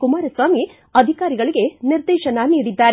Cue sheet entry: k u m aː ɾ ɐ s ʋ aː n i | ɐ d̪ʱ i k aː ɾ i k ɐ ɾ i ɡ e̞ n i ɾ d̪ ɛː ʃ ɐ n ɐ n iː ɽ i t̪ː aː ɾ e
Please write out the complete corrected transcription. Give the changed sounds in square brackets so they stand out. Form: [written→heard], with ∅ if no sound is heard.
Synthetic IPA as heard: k u m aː ɾ ɐ s ʋ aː [n→m] i | ɐ d̪ʱ i k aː ɾ i [k→ɡ] ɐ [ɾ→ɭ] i ɡ e̞ n i ɾ d̪ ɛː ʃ ɐ n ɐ n iː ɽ i [t̪ː→d̪ː] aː ɾ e